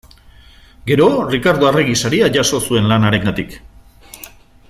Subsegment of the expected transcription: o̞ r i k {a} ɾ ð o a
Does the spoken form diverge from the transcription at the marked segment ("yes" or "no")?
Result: no